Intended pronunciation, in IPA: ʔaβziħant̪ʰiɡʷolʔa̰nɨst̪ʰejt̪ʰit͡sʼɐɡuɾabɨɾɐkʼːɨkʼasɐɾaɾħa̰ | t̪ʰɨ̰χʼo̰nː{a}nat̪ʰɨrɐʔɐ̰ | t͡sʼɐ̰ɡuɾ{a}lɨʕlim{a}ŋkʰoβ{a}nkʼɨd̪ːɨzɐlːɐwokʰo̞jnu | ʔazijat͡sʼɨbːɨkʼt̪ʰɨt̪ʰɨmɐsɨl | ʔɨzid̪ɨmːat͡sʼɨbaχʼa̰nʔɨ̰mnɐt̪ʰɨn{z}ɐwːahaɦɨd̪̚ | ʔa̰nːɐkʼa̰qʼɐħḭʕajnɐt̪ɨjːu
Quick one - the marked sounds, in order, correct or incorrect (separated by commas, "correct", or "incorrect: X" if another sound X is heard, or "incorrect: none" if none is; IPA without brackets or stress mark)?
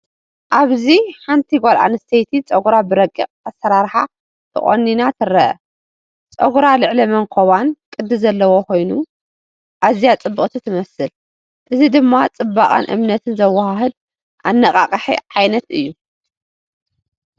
incorrect: i, correct, incorrect: ɐ, correct, correct